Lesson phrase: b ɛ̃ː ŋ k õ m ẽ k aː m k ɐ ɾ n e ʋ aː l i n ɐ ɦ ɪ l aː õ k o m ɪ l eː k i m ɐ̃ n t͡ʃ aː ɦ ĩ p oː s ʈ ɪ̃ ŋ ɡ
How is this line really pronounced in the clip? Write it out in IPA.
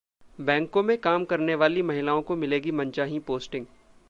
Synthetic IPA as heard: b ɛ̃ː ŋ k õ m ẽ k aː m k ɐ ɾ n e ʋ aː l i m ɐ ɦ ɪ l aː õ k o m ɪ l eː ɡ i m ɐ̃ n t͡ʃ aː ɦ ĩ p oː s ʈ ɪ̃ ŋ ɡ